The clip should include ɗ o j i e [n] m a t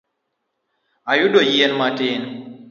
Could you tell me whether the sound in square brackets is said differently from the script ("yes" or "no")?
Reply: no